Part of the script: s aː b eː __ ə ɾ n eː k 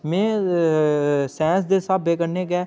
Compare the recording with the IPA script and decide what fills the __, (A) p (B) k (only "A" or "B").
B